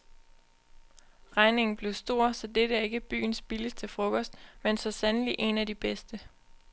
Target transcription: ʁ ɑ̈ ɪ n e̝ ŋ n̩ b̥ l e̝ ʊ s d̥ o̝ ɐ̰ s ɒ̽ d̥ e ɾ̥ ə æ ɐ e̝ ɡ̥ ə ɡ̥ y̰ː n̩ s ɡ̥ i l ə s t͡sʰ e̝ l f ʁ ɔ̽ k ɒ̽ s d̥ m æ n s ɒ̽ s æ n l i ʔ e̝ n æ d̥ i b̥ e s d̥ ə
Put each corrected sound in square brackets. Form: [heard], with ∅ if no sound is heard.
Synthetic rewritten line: ʁ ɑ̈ ɪ n e̝ ŋ n̩ b̥ l e̝ ʊ s d̥ o̝ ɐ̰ s ɒ̽ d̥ e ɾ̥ ə æ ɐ e̝ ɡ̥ ə [b̥] y̰ː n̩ s [b̥] i l ə s t͡sʰ e̝ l f ʁ ɔ̽ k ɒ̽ s d̥ m [e] n s ɒ̽ s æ n l i ʔ e̝ n æ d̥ i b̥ e s d̥ ə